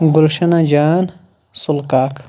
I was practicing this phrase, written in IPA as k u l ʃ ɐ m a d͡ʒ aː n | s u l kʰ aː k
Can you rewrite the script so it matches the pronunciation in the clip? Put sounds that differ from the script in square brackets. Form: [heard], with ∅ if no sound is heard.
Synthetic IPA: [ɡ] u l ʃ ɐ [n] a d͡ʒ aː n | s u l [k] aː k